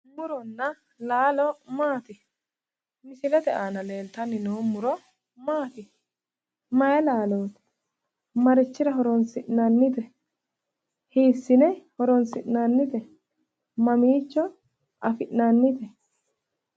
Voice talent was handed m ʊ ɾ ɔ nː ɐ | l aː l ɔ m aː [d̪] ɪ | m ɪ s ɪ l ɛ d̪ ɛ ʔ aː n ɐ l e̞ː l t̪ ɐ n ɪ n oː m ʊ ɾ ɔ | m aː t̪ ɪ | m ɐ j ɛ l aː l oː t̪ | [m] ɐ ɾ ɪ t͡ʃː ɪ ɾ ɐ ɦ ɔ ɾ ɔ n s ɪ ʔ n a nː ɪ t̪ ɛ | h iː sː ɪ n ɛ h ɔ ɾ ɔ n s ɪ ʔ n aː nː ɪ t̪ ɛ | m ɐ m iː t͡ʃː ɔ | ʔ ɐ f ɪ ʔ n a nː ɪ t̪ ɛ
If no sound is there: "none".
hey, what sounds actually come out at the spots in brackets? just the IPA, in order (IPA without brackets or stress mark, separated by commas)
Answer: t̪, m